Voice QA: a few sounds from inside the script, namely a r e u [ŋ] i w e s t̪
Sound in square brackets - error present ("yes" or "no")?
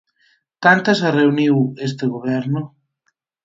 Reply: yes